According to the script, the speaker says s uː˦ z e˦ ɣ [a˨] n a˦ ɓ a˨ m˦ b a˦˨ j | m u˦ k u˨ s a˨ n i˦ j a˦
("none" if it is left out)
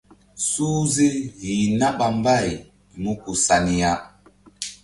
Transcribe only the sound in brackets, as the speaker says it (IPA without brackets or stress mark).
i˨